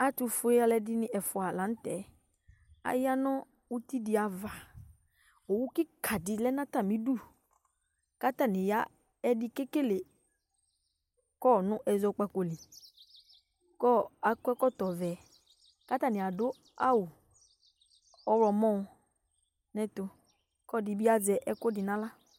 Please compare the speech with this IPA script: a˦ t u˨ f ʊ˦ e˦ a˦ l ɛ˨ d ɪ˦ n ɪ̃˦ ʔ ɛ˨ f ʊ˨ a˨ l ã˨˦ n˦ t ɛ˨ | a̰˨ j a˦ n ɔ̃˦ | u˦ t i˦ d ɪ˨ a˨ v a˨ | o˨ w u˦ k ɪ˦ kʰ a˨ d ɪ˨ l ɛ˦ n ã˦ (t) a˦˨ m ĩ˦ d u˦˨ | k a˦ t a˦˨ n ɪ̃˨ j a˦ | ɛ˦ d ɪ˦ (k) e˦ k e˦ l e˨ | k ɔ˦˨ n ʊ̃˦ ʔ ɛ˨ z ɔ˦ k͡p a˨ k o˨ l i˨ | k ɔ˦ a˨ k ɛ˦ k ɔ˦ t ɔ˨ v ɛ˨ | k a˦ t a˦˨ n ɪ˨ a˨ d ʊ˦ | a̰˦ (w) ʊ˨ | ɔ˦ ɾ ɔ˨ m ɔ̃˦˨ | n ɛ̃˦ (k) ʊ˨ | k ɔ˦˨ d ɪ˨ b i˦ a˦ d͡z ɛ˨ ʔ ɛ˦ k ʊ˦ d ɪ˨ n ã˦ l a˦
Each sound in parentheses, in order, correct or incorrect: correct, correct, correct, incorrect: t

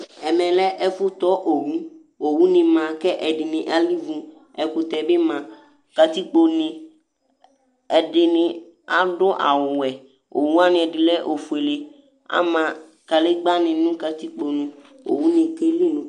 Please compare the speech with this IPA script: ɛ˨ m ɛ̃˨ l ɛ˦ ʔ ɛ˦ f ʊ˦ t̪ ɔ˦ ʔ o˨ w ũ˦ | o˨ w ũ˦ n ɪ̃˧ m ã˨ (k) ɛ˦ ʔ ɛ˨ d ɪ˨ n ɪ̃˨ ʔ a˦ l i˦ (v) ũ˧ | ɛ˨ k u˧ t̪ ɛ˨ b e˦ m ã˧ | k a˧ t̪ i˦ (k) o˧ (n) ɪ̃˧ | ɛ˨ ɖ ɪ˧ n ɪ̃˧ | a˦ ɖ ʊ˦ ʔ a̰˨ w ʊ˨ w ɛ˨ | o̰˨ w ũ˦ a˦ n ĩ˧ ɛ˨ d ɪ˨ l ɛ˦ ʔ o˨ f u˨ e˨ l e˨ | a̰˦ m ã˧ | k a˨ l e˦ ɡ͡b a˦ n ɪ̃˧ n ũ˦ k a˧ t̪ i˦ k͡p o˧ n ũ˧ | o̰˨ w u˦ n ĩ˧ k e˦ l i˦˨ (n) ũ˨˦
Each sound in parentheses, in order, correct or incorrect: correct, correct, incorrect: k͡p, correct, correct

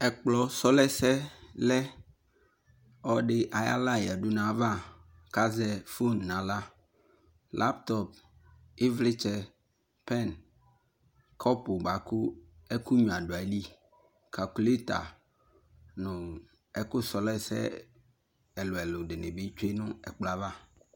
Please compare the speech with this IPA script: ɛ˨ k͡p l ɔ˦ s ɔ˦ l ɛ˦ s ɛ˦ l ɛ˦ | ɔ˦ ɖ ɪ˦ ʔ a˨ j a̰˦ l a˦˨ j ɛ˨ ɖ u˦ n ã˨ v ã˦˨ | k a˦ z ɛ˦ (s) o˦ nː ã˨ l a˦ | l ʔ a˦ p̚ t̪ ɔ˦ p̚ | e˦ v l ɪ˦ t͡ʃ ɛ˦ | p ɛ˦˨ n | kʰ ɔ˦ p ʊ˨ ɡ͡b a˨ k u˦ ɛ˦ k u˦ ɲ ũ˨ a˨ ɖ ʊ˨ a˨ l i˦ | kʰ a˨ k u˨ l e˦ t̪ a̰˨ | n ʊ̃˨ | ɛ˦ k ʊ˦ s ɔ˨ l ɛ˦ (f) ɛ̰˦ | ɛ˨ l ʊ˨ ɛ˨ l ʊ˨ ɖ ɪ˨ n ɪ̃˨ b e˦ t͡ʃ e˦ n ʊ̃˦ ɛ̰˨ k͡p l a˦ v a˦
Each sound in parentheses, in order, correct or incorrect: incorrect: f, incorrect: s

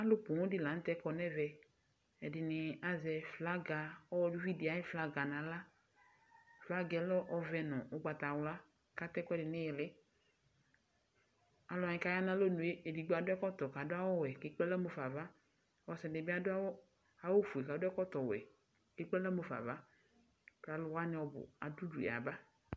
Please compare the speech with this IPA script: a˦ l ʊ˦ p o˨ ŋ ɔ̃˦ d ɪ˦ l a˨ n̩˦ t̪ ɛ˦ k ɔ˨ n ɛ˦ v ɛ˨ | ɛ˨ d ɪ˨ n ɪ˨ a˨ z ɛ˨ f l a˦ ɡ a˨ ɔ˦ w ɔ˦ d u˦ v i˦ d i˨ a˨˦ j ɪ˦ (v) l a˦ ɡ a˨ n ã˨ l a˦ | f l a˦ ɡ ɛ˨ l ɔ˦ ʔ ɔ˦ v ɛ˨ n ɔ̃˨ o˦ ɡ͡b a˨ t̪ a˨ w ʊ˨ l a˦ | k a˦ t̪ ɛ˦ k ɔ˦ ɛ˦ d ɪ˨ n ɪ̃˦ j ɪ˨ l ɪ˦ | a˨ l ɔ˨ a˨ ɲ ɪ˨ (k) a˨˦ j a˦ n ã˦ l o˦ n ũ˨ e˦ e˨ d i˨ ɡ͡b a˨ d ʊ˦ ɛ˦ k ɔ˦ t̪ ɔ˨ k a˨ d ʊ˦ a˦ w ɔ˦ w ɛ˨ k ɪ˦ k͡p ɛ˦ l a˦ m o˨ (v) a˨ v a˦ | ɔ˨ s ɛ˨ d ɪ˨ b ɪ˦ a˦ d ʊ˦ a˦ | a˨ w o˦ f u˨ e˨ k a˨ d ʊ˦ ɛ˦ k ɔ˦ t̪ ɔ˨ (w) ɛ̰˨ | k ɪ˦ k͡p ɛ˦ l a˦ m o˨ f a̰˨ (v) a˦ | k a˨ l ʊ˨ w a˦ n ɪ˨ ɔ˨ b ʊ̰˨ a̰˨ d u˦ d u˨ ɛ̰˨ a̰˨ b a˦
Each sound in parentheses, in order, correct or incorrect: incorrect: f, correct, incorrect: f, correct, correct

